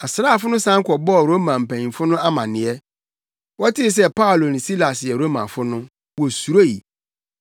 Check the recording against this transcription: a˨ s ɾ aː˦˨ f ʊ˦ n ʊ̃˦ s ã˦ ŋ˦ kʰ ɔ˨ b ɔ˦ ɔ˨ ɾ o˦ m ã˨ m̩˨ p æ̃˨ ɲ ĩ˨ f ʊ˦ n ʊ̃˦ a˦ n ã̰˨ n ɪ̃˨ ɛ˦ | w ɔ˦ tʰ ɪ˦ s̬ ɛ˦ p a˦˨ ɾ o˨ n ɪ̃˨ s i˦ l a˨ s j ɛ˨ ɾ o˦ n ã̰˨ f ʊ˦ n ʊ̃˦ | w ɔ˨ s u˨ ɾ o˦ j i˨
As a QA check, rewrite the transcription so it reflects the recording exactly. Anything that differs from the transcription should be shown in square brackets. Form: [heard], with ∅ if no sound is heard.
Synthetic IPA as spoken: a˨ s ɾ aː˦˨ f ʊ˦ n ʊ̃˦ s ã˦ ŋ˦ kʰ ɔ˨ b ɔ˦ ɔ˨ ɾ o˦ m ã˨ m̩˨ p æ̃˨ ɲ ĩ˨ f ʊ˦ n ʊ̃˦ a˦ [m] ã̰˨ n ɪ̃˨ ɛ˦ | w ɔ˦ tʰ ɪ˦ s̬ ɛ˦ p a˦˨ [l] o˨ n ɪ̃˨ s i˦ l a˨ s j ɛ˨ ɾ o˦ [m] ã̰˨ f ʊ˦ n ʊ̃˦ | w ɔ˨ s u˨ ɾ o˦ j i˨

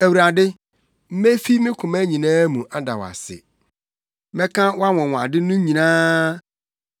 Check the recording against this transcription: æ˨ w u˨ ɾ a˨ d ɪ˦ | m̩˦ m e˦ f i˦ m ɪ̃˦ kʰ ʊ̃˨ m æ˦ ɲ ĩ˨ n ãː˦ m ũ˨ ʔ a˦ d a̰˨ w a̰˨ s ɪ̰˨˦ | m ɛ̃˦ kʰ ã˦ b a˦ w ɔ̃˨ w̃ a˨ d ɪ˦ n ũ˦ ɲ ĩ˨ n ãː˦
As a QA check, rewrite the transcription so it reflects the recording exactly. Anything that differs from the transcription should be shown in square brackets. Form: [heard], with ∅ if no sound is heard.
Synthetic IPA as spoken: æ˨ w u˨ ɾ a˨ d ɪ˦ | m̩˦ m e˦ f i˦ m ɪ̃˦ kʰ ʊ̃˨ m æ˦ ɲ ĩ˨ n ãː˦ m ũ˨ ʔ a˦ d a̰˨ w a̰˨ s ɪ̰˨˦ | m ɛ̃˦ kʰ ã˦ [w] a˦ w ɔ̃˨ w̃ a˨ d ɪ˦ n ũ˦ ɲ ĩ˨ n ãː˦

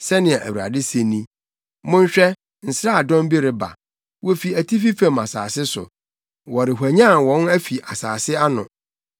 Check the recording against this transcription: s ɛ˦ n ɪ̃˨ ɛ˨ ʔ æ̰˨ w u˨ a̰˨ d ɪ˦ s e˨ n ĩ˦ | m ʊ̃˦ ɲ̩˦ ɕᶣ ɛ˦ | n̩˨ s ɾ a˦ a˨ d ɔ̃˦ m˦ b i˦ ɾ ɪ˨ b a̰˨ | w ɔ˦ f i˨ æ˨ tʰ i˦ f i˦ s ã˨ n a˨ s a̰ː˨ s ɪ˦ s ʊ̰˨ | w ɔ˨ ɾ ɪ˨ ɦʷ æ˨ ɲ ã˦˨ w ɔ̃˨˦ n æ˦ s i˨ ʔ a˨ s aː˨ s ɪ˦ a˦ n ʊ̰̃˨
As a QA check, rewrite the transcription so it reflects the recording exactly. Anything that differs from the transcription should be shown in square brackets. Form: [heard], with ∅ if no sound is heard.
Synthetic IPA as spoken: s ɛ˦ n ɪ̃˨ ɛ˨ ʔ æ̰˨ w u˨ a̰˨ d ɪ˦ s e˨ n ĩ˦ | m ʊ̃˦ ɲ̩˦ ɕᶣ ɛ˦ | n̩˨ s ɾ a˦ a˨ d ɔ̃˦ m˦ b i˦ ɾ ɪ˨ b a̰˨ | w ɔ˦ f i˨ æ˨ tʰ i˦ f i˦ [f] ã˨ [m] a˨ s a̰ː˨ s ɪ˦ s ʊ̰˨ | w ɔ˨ ɾ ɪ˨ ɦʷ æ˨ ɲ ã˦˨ w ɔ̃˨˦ n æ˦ [f] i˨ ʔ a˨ s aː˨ s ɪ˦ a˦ n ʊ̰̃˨

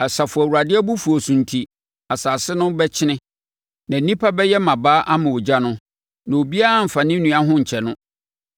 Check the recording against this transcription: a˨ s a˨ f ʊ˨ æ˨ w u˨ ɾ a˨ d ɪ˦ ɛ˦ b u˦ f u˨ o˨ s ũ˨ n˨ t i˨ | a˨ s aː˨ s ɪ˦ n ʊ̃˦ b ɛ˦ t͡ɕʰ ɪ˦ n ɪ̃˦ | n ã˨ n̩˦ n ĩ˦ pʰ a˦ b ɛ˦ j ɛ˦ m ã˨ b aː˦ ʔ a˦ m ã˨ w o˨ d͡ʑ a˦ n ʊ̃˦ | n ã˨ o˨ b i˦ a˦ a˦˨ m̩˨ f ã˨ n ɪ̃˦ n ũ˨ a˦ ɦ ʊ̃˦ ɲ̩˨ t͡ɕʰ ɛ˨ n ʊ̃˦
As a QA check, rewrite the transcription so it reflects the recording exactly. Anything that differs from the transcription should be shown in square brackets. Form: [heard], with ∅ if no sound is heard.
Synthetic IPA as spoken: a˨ s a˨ f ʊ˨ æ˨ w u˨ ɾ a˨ d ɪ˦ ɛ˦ b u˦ f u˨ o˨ s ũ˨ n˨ [tʰ] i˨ | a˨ s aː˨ s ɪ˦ n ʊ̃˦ b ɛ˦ t͡ɕʰ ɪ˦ n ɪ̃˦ | n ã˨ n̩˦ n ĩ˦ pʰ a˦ b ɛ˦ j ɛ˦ m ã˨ b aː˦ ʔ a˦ m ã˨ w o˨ d͡ʑ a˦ n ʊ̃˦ | n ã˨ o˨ b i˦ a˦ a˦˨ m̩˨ f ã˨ n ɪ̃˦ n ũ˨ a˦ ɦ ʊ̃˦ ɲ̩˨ t͡ɕʰ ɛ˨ n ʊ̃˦

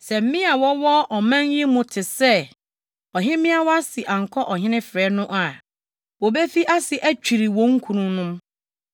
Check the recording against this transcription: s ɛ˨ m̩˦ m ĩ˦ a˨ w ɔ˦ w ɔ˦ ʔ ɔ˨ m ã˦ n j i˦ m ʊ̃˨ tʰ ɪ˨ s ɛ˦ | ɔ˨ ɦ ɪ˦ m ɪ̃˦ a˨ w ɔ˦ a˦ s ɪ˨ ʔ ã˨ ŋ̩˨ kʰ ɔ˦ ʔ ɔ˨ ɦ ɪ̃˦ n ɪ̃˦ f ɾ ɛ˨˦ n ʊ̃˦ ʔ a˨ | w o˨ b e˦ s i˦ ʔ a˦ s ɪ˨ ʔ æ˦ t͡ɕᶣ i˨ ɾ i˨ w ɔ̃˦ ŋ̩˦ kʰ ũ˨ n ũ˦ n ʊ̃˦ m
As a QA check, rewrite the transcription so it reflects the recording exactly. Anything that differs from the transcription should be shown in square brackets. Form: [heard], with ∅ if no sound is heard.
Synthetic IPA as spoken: s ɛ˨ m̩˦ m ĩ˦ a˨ w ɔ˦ w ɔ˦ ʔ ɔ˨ m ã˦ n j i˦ m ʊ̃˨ tʰ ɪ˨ s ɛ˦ | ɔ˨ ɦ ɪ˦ m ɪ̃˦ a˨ w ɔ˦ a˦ s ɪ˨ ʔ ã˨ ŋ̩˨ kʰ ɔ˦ ʔ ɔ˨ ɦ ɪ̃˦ n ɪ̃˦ f ɾ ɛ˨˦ n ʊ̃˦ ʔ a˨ | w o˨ b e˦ [f] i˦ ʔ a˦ s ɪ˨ ʔ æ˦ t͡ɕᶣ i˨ ɾ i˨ w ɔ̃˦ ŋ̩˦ kʰ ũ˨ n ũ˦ n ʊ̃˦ m

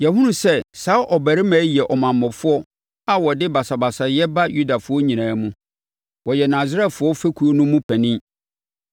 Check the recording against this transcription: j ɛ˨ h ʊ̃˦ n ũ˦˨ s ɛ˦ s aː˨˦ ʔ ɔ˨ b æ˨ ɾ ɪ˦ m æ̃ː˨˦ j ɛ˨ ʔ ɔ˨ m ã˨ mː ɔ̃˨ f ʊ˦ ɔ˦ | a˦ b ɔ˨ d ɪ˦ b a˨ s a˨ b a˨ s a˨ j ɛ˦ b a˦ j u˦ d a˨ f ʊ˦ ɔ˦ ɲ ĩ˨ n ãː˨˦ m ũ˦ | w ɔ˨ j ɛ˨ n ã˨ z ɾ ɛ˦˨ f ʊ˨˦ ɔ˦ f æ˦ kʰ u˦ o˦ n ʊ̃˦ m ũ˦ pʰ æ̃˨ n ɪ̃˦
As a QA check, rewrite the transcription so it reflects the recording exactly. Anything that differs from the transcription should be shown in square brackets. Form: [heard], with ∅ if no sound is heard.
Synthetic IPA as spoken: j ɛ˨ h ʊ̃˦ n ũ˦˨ s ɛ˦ s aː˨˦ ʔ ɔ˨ b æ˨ ɾ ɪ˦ m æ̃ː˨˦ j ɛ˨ ʔ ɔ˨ m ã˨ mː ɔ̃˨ f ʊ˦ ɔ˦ | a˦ [w] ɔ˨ d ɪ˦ b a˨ s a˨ b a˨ s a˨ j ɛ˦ b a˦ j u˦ d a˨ f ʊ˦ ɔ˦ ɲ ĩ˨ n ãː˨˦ m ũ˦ | w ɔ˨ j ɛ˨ n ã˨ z ɾ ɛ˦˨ f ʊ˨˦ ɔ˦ f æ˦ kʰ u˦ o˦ n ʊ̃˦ m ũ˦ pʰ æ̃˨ n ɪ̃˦

